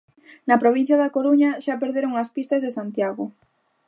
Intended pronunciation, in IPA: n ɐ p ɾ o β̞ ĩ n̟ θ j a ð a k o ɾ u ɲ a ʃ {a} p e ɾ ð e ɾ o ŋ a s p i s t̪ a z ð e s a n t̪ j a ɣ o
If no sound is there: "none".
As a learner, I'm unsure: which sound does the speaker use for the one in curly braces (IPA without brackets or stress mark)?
a